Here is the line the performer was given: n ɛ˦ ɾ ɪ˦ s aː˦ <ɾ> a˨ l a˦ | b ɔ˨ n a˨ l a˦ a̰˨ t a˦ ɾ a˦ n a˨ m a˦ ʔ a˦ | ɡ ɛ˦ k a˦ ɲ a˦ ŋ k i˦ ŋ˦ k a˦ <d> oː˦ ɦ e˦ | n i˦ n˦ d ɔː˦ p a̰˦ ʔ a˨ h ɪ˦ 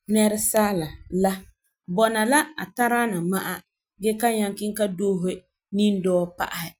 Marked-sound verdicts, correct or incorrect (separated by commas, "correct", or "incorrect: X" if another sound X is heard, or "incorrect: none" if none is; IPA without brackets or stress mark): incorrect: l, correct